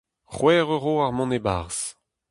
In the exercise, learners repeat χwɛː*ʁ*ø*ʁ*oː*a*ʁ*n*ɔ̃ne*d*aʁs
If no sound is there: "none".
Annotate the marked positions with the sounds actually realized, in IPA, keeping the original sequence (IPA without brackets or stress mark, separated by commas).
ʁ, ʁ, a, m, b